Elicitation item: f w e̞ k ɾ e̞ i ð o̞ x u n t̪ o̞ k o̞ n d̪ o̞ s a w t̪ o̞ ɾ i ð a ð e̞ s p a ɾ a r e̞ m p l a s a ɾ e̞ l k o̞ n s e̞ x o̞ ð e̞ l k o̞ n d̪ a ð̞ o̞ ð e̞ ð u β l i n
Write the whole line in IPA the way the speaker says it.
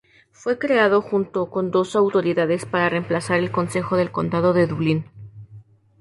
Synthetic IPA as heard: f w e̞ k ɾ e̞ a ð o̞ x u n t̪ o̞ k o̞ n d̪ o̞ s a w t̪ o̞ ɾ i ð a ð e̞ s p a ɾ a r e̞ m p l a s a ɾ e̞ l k o̞ n s e̞ x o̞ ð e̞ l k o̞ n d̪ a ð̞ o̞ ð e̞ ð u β l i n